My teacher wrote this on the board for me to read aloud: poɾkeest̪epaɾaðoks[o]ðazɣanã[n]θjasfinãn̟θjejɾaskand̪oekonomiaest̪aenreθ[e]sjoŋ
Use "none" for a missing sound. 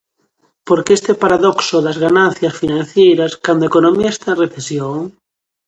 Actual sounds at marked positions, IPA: o, n, e

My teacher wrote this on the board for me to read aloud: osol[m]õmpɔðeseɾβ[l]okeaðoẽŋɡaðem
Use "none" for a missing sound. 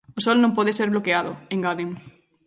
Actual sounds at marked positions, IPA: n, l

